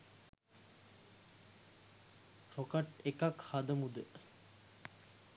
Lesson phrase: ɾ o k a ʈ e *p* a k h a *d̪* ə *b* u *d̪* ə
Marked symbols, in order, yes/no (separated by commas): no, yes, no, yes